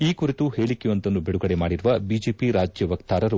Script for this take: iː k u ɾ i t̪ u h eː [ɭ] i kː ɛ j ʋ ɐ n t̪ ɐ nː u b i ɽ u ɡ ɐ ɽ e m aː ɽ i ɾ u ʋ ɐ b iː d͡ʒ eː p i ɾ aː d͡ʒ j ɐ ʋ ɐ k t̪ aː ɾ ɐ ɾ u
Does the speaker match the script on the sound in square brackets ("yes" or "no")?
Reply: yes